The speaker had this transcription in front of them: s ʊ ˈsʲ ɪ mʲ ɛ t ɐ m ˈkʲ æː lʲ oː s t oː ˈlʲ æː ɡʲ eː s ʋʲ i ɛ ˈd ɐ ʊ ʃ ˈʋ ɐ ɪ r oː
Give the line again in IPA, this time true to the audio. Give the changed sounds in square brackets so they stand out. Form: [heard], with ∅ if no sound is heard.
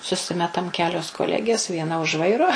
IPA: s ʊ ˈsʲ ɪ mʲ ɛ t ɐ m ˈkʲ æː lʲ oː s [k] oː ˈlʲ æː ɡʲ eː s ʋʲ i ɛ [ˈn] ɐ ʊ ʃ ˈʋ ɐ ɪ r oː